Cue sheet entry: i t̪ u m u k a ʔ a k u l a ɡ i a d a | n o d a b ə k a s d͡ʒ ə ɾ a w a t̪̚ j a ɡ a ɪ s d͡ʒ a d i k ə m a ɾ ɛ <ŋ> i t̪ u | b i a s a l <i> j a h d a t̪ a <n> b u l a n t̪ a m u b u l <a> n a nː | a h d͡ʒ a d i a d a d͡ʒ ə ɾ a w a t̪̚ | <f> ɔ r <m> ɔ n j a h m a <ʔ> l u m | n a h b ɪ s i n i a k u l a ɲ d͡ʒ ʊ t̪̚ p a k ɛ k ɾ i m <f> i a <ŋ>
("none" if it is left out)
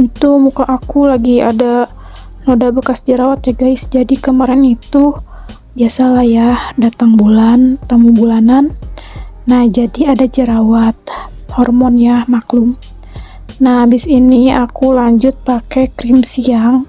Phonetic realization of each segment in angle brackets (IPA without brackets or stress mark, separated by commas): n, a, ŋ, a, h, m, k, s, ŋ